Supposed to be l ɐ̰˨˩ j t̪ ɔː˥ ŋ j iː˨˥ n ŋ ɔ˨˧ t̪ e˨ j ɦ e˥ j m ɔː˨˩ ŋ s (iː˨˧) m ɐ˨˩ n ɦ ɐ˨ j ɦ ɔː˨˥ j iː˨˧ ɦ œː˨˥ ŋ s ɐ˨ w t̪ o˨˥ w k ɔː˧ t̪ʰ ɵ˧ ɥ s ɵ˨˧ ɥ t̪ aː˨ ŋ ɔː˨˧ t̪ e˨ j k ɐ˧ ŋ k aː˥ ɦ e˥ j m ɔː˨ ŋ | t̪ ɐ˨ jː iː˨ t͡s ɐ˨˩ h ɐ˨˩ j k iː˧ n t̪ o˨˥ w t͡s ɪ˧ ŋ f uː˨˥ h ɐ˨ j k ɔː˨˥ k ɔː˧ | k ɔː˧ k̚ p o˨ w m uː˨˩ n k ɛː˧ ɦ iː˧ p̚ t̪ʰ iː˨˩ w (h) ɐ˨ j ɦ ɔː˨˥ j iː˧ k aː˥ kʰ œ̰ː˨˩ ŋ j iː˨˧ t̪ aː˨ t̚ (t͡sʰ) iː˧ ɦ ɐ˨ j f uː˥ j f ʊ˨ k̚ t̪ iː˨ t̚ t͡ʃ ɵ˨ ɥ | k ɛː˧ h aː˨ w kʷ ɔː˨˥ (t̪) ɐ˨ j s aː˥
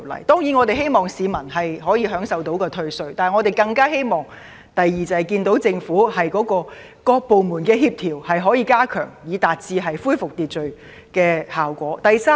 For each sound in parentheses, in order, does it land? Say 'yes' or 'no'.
yes, yes, no, yes

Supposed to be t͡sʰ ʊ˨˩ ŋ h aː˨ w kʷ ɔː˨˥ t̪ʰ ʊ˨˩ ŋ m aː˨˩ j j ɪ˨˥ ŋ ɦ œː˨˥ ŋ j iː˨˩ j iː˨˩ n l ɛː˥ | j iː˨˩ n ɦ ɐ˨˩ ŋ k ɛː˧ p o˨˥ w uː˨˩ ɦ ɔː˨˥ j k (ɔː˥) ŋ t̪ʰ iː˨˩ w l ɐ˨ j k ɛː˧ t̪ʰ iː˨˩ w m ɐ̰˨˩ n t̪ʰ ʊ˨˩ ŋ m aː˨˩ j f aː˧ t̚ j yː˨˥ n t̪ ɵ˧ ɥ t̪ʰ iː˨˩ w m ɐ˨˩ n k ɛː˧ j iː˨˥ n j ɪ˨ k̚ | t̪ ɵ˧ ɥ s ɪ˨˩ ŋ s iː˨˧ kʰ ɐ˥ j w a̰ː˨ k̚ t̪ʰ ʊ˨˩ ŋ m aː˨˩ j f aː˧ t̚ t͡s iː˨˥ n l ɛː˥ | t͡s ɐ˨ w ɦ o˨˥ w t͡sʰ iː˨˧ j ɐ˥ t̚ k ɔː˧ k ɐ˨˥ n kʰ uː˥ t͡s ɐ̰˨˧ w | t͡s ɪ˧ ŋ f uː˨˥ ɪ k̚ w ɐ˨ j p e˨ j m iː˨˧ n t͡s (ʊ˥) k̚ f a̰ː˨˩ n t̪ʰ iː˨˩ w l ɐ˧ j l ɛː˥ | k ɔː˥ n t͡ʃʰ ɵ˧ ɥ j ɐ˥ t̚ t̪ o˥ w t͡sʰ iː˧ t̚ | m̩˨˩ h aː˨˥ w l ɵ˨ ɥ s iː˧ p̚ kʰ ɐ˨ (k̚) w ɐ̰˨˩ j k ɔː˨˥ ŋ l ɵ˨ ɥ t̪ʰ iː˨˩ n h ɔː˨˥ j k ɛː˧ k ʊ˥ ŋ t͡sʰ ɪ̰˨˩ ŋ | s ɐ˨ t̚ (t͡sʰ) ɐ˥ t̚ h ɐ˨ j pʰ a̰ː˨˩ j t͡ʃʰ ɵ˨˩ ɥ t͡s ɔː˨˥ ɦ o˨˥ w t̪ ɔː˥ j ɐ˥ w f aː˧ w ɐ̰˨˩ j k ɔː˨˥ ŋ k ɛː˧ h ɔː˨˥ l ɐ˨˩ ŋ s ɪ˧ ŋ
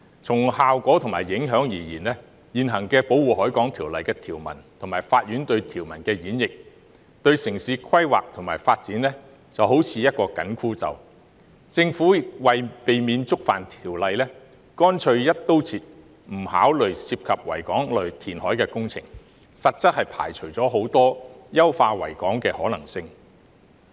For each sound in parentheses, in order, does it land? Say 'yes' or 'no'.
no, yes, no, no

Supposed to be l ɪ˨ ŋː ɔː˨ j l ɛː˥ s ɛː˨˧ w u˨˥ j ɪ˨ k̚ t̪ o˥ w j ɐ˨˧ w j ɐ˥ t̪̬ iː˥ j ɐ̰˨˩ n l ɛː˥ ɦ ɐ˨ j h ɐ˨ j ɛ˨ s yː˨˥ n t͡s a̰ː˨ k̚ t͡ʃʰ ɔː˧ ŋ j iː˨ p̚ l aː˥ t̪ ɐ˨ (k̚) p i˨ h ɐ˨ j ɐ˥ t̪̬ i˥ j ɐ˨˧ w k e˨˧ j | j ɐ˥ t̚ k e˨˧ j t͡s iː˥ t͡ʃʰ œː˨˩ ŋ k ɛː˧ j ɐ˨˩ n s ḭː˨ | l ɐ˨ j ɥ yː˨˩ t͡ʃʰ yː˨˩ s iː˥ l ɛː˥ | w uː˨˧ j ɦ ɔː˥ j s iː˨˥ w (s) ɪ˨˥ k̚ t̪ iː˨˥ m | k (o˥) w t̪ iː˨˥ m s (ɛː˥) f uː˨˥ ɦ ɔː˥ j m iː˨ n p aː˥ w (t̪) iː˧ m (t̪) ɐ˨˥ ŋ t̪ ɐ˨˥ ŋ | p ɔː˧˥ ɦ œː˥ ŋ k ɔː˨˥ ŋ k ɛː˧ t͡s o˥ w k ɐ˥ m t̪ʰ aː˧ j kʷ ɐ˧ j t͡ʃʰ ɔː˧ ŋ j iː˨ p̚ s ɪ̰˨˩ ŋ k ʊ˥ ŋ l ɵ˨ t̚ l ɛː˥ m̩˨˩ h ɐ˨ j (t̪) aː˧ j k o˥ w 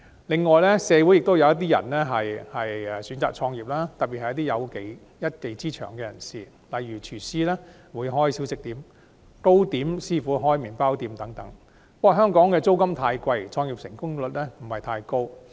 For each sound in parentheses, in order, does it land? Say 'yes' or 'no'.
no, yes, yes, no, yes, yes, no

